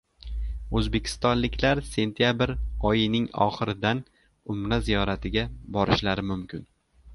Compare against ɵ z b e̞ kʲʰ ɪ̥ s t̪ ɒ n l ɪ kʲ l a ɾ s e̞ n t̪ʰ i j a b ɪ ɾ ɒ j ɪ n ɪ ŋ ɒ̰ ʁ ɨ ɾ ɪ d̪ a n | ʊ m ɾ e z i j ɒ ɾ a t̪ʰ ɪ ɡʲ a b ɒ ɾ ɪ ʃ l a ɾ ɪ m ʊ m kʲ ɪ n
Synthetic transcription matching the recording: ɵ z b e̞ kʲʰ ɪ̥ s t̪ ɒ n l ɪ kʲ l a ɾ s e̞ n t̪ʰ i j a b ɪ ɾ ɒ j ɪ n ɪ ŋ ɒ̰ χ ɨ ɾ ɪ d̪ a n | ʊ m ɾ a z i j ɒ ɾ a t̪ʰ ɪ ɡʲ a b ɒ ɾ ɪ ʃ l a ɾ ɪ m ʊ m kʲ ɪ n